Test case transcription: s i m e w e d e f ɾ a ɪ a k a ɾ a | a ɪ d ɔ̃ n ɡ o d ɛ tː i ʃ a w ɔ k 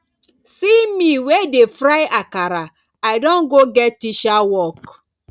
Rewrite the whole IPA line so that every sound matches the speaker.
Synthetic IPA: s i m i w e d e f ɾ a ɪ a k a ɾ a | a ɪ d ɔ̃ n ɡ o ɡ ɛ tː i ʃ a w ɔ k